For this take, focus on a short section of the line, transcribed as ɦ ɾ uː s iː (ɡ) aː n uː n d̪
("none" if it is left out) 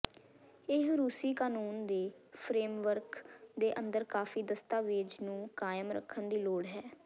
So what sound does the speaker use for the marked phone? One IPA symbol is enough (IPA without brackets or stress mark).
k